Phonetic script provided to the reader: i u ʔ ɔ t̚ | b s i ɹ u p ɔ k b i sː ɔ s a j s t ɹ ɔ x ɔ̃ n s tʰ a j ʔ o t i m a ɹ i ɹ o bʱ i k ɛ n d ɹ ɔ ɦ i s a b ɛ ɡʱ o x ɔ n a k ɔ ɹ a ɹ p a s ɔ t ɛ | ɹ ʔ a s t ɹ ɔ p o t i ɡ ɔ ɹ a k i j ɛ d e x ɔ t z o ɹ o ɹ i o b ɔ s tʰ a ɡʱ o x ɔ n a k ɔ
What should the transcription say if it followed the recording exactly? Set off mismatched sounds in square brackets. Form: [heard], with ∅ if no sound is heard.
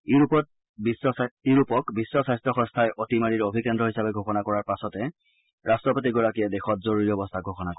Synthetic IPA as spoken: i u [p] ɔ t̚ | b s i ɹ u p ɔ k b i sː ɔ s a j s t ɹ ɔ x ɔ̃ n s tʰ a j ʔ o t i m a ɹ i ɹ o bʱ i k ɛ n d ɹ ɔ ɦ i s a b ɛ ɡʱ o x ɔ n a k ɔ ɹ a ɹ p a s ɔ t ɛ | ɹ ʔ a s t ɹ ɔ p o t i ɡ ɔ ɹ a k i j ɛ d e x ɔ t z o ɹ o ɹ i [ɔ] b ɔ s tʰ a ɡʱ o x ɔ n a k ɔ